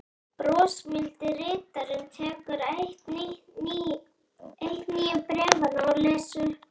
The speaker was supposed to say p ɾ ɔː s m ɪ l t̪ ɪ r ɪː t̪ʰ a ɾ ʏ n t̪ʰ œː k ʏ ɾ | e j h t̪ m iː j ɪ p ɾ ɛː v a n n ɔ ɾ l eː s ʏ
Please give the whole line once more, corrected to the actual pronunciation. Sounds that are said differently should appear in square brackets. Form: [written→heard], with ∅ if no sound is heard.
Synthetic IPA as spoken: p ɾ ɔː s m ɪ l t̪ ɪ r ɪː [t̪ʰ→t̪] a ɾ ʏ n t̪ʰ [œː→ɛː] k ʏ ɾ | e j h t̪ [m→n] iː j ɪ p ɾ ɛː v a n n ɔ ɾ l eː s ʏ